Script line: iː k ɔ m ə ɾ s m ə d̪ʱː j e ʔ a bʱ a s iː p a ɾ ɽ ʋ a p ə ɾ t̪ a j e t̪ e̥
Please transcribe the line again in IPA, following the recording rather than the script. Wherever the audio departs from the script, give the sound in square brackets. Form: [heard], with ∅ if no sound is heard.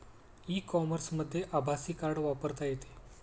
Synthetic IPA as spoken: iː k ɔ m ə ɾ s m ə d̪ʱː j e ʔ a bʱ a s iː [k] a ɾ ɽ ʋ a p ə ɾ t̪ a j e t̪ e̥